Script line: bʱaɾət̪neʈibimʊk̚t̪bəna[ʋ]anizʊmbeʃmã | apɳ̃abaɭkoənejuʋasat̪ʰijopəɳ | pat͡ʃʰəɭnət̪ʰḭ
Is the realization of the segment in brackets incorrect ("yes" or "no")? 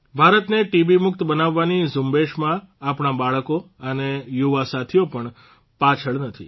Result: yes